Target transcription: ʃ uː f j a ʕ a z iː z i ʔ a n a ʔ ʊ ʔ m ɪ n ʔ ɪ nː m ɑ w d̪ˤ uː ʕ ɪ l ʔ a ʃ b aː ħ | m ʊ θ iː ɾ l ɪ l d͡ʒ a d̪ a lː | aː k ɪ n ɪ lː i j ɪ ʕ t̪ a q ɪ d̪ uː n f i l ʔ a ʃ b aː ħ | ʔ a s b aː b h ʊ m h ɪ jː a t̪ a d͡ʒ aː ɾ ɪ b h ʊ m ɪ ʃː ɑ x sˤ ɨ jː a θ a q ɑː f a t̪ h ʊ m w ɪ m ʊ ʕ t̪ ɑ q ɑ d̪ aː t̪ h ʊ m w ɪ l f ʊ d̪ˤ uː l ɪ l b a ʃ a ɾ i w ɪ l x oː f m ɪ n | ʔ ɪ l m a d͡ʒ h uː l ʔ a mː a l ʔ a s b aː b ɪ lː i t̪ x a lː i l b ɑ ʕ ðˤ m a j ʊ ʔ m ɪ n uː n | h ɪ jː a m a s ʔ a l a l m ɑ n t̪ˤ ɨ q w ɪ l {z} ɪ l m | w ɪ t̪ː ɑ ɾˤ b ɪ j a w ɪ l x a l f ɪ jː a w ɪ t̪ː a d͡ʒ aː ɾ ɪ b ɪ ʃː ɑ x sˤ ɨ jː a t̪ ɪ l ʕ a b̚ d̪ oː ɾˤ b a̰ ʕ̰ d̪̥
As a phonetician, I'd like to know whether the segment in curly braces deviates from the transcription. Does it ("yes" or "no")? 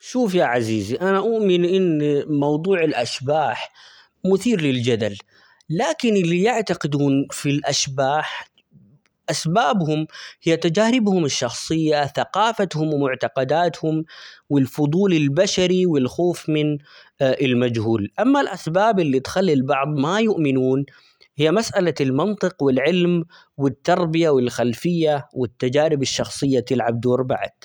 yes